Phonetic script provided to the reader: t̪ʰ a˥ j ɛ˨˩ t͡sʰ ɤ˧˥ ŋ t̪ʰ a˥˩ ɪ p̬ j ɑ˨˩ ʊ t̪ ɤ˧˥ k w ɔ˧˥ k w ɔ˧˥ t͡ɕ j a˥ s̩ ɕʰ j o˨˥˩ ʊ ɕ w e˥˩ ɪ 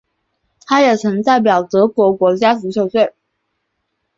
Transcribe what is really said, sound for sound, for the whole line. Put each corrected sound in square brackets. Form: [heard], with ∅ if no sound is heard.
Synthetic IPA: t̪ʰ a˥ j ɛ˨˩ t͡sʰ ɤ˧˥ ŋ [t̪] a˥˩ ɪ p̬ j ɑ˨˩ ʊ t̪ ɤ˧˥ k w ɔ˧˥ k w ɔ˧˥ t͡ɕ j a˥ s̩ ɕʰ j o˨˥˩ ʊ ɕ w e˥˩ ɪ